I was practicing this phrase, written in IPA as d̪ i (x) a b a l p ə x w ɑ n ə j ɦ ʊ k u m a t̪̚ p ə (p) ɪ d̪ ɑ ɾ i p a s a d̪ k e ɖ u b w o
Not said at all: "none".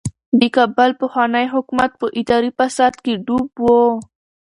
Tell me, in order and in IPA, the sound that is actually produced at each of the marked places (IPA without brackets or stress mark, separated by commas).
k, ʔ